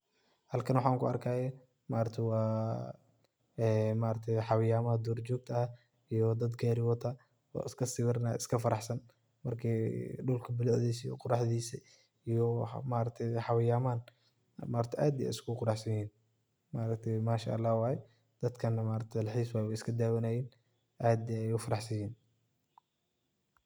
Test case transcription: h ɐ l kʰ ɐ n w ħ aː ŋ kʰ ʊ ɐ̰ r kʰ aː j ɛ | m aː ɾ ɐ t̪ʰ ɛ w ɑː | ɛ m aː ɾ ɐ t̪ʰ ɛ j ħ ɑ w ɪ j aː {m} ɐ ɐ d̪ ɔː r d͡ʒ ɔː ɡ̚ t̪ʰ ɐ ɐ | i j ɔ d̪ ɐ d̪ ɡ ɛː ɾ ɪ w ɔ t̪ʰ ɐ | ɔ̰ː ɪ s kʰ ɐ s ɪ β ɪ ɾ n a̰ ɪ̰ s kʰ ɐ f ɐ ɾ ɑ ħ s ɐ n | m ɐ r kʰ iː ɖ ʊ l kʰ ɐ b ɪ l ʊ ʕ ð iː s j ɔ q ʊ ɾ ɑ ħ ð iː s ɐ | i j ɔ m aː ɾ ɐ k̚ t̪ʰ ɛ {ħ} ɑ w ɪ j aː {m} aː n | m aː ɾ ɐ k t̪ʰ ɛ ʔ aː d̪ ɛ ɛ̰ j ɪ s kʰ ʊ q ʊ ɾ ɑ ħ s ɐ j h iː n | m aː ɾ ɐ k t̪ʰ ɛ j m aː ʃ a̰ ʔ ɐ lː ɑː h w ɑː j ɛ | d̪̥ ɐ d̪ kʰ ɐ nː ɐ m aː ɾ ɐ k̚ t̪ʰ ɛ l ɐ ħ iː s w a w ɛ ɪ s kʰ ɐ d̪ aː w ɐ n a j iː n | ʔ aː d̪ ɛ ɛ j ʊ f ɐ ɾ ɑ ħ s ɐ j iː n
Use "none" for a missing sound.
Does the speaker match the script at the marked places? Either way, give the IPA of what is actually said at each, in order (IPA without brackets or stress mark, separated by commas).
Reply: m, ħ, m